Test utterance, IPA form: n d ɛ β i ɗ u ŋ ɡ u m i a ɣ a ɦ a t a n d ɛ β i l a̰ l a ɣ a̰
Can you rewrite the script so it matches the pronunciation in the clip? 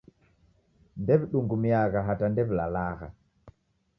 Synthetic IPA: n d ɛ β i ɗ u ŋ ɡ u m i a ɣ a ɦ a t a n d ɛ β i l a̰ l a ɣ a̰